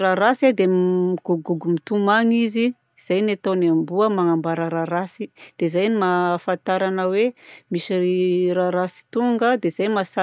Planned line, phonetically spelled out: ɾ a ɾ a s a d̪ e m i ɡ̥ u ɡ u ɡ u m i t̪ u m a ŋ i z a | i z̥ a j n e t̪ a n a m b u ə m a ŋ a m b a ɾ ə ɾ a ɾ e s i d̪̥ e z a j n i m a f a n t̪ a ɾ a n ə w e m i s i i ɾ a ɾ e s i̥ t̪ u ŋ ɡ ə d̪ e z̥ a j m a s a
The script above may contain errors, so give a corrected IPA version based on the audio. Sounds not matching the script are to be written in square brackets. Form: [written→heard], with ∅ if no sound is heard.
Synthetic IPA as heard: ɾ a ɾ a s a d̪ e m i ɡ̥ u ɡ u ɡ u m i t̪ u m a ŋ i z [a→i] | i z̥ a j n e t̪ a n a m b u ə m a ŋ a m b a ɾ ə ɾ a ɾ [e→a] s i d̪̥ e z a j n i m a f a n t̪ a ɾ a n ə w e m i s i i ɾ a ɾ [e→a] s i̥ t̪ u ŋ ɡ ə d̪ e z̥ a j m a s a

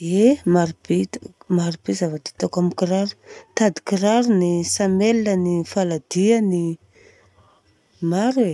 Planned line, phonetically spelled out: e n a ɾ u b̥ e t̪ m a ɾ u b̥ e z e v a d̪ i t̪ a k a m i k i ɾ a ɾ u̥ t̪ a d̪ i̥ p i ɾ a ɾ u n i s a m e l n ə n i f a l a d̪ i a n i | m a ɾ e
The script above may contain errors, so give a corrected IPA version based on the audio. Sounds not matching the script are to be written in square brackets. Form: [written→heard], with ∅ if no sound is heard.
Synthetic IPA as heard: e [n→m] a ɾ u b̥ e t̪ m a ɾ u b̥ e z [e→a] v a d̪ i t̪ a k a m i k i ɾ a ɾ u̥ t̪ a d̪ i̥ [p→k] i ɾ a ɾ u n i s a m e l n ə n i f a l a d̪ i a n i | m a ɾ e

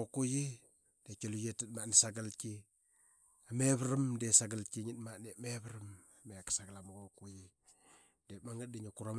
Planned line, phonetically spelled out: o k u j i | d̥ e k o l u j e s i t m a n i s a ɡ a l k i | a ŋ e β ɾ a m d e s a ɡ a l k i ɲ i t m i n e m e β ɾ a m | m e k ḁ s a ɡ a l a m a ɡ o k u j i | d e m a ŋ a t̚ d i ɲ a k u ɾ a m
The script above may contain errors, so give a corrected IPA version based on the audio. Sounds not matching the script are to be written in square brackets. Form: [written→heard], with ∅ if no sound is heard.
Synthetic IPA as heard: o k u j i | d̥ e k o l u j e [s→t] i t m a n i s a ɡ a l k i | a [ŋ→m] e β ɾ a m d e s a ɡ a l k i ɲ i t m [i→a] n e m e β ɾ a m | m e k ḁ s a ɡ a l a m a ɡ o k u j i | d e m a ŋ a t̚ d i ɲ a k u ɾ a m

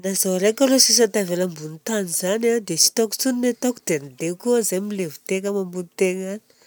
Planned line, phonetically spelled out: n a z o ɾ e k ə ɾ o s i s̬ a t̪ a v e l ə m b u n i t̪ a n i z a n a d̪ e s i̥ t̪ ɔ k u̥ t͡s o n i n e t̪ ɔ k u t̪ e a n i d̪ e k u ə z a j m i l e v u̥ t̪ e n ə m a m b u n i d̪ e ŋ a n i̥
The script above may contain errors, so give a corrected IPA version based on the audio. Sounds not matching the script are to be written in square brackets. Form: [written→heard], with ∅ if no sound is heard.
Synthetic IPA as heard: n a z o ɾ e k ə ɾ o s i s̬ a t̪ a v e l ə m b u n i t̪ a n i z a n a d̪ e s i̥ t̪ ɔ k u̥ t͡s [o→u] n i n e t̪ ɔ k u [t̪→d̪] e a n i d̪ e k u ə z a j m i l e v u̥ t̪ e [n→ŋ] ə m a m b u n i [d̪→t̪] e ŋ a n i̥

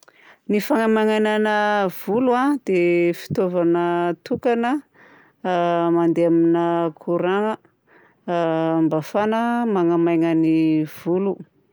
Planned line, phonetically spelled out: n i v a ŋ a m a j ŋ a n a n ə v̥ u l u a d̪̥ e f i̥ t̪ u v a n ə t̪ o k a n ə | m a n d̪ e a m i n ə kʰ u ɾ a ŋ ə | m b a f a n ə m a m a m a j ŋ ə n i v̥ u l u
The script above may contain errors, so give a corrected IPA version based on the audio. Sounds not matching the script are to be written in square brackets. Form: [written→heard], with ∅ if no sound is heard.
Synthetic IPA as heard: n i [v→f] a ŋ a m a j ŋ a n a n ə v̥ u l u a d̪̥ e f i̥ t̪ [u→o] v a n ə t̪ [o→u] k a n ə | m a n d̪ e a m i n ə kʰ u ɾ a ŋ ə | m b a f a n ə m a [m→ŋ] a m a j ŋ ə n i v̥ u l u

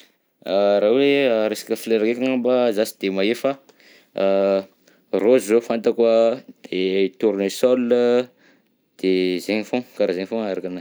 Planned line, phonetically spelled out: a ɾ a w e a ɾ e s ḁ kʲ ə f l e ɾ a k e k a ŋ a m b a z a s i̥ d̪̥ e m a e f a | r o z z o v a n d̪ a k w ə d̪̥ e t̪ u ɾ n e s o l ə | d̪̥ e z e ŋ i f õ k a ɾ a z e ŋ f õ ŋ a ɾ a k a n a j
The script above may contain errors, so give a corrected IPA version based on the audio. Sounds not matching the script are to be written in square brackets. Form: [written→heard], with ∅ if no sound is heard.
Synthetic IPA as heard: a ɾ a w e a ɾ e s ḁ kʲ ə f l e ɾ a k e k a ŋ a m b a z a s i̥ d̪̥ e m a e f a | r o z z o [v→f] a n [d̪→t̪] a k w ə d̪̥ e t̪ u ɾ n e s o l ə | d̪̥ e z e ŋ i f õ k a ɾ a z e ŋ f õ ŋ a ɾ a k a n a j

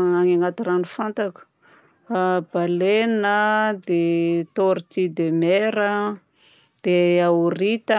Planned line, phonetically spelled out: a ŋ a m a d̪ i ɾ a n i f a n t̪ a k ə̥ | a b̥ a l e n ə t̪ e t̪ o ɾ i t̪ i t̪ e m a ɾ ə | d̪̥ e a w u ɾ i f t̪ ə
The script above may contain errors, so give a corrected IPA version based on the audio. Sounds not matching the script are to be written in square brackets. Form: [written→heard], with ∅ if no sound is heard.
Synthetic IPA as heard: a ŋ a [m→ŋ] a [d̪→t̪] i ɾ a n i f a n t̪ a k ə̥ | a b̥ a l e n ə [t̪→d̪] e t̪ o ɾ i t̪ i [t̪→d̪] e m [a→e] ɾ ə | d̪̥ e a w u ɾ i [f→∅] t̪ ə

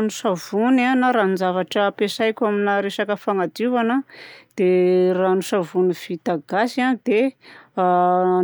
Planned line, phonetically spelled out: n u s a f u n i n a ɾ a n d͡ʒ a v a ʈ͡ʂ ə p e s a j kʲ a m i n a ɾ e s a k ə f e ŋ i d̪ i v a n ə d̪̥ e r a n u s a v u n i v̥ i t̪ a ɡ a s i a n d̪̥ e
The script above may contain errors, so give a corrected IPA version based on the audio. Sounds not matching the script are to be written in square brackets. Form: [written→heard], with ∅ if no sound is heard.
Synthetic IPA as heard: n u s a [f→v] u n [i→a] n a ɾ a n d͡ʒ a v a ʈ͡ʂ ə p e s a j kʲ a m i n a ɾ e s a k ə f [e→a] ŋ [i→a] d̪ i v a n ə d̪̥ e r a n u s a v u n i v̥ i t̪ a ɡ a s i a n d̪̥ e

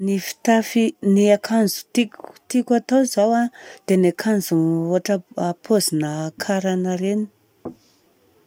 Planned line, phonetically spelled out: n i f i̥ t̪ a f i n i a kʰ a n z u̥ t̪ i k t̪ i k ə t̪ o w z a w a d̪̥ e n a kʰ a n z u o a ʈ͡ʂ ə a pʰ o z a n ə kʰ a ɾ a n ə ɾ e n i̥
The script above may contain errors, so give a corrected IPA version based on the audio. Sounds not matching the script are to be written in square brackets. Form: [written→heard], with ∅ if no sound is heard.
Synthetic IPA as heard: n i f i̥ t̪ a f i n i a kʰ a n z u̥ t̪ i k t̪ i k [ə→a] t̪ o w z a w a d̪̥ e n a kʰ a n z u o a ʈ͡ʂ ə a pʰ o z [a→i] n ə kʰ a ɾ a n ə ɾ e n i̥

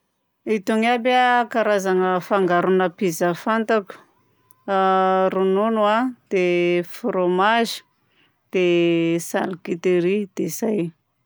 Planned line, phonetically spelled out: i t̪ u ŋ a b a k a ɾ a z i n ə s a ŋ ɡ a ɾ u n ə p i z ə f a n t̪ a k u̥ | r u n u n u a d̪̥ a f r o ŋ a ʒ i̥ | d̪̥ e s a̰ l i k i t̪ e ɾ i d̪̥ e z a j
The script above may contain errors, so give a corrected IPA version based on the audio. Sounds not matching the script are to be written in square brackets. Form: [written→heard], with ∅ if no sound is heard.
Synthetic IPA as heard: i t̪ u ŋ a b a k a ɾ a z [i→a] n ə [s→f] a ŋ ɡ a ɾ u n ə p i z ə f a n t̪ a k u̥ | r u n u n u a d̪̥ [a→e] f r o [ŋ→m] a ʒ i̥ | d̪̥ e s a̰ l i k i t̪ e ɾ i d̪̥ e z a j

